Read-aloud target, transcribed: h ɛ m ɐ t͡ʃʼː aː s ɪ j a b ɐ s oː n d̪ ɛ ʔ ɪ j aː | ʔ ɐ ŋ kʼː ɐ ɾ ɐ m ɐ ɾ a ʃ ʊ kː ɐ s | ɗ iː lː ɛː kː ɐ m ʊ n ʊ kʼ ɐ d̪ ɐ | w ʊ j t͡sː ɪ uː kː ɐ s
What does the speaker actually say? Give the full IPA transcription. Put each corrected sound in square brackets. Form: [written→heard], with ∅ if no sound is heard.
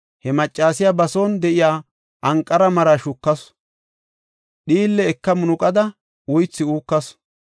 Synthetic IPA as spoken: h ɛ m ɐ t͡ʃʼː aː s ɪ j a b ɐ s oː n d̪ ɛ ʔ ɪ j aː | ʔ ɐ ŋ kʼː ɐ ɾ ɐ m ɐ ɾ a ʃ ʊ kː ɐ s | ɗ iː lː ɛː kː ɐ m ʊ n ʊ kʼ ɐ d̪ ɐ | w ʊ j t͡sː ɪ uː kː ɐ s

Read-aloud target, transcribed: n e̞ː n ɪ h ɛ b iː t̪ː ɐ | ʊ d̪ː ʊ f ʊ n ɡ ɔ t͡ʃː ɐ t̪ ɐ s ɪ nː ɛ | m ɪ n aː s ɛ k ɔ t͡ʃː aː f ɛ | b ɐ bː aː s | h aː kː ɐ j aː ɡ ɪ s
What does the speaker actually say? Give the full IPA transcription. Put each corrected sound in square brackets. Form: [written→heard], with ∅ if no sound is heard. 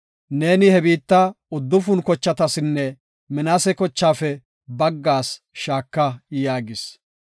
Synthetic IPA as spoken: n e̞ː n ɪ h ɛ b iː t̪ː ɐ | ʊ d̪ː ʊ f ʊ n [ɡ→k] ɔ t͡ʃː ɐ t̪ ɐ s ɪ nː ɛ | m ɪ n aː s ɛ k ɔ t͡ʃː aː f ɛ | b ɐ [bː→ɡː] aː s | [h→ʃ] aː kː ɐ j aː ɡ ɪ s

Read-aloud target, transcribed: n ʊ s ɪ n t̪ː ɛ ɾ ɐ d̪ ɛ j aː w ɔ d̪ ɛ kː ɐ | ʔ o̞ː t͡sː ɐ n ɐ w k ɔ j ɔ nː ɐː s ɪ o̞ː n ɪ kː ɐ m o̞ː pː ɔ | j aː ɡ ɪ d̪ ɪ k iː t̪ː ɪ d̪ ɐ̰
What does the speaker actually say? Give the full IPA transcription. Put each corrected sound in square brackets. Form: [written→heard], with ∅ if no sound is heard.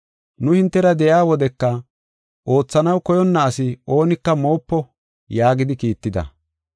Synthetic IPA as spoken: n ʊ [s→h] ɪ n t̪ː ɛ ɾ ɐ d̪ ɛ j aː w ɔ d̪ ɛ kː ɐ | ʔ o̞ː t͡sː ɐ n ɐ w k ɔ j ɔ nː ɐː s ɪ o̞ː n ɪ kː ɐ m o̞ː pː ɔ | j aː ɡ ɪ d̪ ɪ k iː t̪ː ɪ d̪ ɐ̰

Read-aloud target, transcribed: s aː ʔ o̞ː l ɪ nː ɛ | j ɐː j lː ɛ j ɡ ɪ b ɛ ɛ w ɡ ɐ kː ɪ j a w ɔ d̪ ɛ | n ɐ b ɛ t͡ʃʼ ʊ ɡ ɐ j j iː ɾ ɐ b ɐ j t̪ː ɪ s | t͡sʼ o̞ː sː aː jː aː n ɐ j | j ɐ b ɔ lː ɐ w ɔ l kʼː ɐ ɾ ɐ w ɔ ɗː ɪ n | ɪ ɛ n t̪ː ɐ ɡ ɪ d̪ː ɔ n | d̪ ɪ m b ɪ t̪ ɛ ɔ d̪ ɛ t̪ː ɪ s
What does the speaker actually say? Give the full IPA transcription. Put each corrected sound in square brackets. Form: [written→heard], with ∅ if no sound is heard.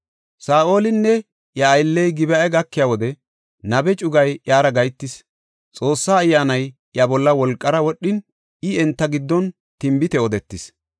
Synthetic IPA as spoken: s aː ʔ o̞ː l ɪ nː ɛ | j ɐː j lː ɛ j ɡ ɪ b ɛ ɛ [w→∅] ɡ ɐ kː ɪ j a w ɔ d̪ ɛ | n ɐ b ɛ t͡ʃʼ ʊ ɡ ɐ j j [iː→aː] ɾ ɐ [b→ɡ] ɐ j t̪ː ɪ s | t͡sʼ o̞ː sː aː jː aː n ɐ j | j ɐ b ɔ lː ɐ w ɔ l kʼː ɐ ɾ ɐ w ɔ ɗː ɪ n | ɪ ɛ n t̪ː ɐ ɡ ɪ d̪ː ɔ n | [d̪→t̪] ɪ m b ɪ t̪ ɛ ɔ d̪ ɛ t̪ː ɪ s

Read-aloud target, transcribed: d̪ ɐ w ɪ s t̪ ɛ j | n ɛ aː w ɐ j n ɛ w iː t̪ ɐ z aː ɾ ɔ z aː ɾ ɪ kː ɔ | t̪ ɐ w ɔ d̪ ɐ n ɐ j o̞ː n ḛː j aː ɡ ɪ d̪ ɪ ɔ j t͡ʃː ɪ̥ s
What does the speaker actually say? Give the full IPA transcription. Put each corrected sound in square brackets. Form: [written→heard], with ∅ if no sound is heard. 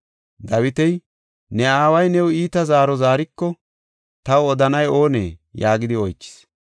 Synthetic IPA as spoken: d̪ ɐ w ɪ [s→∅] t̪ ɛ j | n ɛ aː w ɐ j n ɛ w iː t̪ ɐ z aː ɾ ɔ z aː ɾ ɪ kː ɔ | t̪ ɐ w ɔ d̪ ɐ n ɐ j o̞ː n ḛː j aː ɡ ɪ d̪ ɪ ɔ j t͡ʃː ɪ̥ s

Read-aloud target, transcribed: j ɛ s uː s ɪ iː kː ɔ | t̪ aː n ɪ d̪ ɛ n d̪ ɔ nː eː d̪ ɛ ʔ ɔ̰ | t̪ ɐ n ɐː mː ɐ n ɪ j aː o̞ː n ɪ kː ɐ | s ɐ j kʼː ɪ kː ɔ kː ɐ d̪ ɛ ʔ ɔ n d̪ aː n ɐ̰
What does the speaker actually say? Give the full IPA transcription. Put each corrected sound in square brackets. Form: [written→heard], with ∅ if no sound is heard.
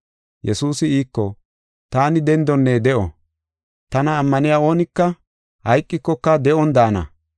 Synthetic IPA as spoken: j ɛ s uː s ɪ iː kː ɔ | t̪ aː n ɪ d̪ ɛ n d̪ ɔ nː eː d̪ ɛ ʔ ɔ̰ | t̪ ɐ n ɐː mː ɐ n ɪ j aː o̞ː n ɪ kː ɐ | [s→h] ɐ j kʼː ɪ kː ɔ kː ɐ d̪ ɛ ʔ ɔ n d̪ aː n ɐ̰

